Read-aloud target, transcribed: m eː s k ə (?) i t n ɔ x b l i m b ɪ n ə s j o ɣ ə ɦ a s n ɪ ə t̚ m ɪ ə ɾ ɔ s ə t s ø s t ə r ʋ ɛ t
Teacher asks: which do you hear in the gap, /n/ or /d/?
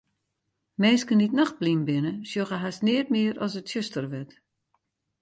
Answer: n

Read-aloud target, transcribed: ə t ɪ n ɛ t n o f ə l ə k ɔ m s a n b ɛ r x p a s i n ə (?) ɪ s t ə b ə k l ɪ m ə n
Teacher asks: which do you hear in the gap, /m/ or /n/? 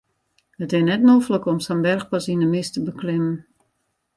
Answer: m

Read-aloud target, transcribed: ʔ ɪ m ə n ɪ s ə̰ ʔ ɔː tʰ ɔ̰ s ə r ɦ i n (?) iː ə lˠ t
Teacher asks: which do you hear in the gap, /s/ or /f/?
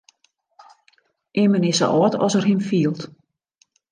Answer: f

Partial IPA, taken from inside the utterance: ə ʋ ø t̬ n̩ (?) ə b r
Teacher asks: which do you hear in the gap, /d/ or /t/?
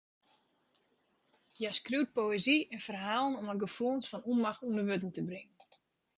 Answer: t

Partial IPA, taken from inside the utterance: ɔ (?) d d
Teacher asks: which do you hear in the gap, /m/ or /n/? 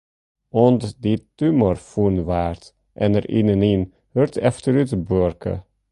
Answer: n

